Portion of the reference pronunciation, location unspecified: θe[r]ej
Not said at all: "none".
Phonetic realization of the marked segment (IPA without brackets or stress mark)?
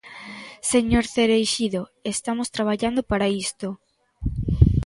ɾ